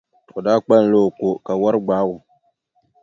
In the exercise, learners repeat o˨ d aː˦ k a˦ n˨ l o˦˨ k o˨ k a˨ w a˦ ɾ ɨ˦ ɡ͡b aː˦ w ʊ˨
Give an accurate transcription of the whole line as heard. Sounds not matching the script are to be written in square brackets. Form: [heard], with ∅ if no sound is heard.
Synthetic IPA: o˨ d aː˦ [k͡p] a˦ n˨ l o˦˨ k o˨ k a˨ w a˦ ɾ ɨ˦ ɡ͡b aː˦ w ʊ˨